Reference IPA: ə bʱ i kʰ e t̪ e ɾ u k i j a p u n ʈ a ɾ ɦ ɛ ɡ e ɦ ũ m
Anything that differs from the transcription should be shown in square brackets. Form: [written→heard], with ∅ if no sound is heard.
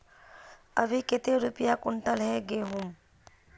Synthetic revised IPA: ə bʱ i [kʰ→k] e t̪ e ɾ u [k→p] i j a [p→k] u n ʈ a [ɾ→l] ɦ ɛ ɡ e ɦ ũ m